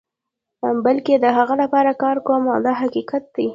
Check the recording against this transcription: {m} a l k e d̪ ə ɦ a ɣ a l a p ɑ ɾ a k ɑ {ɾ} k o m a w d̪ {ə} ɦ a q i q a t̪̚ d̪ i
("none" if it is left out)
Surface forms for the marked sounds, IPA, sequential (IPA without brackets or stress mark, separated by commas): b, ɾ, ɑ